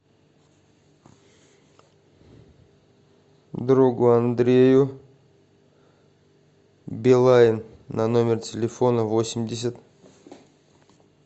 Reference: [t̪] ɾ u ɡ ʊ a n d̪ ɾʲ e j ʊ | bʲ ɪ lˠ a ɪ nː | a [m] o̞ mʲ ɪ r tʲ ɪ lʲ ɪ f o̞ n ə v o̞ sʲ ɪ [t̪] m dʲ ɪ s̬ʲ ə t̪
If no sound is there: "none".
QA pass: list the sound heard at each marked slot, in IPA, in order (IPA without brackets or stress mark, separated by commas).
d̪, n, none